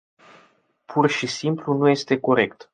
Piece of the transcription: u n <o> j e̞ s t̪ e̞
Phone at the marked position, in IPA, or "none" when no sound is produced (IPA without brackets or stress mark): u